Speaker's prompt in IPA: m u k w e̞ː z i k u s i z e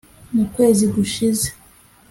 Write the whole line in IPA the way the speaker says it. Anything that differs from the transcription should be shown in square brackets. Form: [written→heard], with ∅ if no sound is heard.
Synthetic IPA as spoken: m u k w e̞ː z i [k→ɡ] u [s→ʃ] i z e